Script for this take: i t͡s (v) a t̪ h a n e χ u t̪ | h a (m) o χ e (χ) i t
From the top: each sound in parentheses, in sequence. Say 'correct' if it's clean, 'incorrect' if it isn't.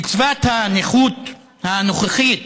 correct, incorrect: n, correct

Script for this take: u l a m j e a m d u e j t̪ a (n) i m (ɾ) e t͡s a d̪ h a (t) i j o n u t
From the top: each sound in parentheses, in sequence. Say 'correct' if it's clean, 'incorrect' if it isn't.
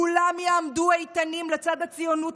correct, incorrect: l, incorrect: t͡s

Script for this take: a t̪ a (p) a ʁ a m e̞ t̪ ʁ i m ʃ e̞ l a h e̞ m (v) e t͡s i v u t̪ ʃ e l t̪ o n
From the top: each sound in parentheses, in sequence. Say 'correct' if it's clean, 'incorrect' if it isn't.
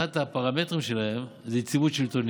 correct, incorrect: z

